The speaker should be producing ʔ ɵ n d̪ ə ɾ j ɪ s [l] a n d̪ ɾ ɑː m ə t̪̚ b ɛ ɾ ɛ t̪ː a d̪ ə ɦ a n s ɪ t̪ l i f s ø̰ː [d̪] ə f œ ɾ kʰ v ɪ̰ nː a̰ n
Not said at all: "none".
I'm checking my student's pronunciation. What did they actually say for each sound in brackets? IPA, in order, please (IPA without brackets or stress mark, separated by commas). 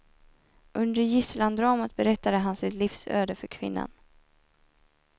l, d̪